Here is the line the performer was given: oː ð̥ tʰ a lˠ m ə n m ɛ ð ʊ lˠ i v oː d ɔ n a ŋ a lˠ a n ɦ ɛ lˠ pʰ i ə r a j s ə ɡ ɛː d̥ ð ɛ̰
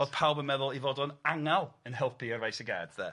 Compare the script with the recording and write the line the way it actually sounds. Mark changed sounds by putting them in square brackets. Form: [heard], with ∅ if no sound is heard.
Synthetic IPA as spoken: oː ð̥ [pʰ] a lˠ [b] ə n m ɛ ð ʊ lˠ i v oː d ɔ n a ŋ a lˠ [ə] n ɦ ɛ lˠ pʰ i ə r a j s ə ɡ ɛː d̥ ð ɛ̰